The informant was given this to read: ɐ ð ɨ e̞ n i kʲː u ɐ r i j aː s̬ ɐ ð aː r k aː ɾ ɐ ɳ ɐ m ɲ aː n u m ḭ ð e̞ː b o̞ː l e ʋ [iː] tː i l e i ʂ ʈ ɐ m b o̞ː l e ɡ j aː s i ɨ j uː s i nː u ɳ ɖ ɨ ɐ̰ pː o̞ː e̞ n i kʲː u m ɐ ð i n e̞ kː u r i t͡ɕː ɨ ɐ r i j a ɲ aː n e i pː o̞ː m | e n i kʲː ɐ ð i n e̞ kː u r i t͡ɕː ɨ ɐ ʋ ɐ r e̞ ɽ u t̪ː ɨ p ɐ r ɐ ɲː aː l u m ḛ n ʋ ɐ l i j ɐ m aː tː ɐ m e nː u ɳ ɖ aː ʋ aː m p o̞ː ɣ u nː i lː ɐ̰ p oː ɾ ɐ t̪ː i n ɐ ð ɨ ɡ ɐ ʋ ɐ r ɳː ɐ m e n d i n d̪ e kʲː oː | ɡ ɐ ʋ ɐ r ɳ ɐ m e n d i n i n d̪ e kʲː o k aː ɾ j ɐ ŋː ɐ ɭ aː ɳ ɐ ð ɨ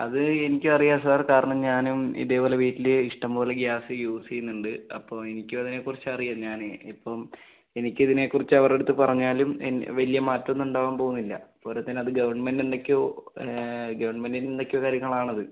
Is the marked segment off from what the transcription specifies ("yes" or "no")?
no